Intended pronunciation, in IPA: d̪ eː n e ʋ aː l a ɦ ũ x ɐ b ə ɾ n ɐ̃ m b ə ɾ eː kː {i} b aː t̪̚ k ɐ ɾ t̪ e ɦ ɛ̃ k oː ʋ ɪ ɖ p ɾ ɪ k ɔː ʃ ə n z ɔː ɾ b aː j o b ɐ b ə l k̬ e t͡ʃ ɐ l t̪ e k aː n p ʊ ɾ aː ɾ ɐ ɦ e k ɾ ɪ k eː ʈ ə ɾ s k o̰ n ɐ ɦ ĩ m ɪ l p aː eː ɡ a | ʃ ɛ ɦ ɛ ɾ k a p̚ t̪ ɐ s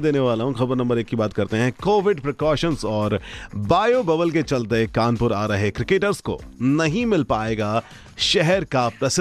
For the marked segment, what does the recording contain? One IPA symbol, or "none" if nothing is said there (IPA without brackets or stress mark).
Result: i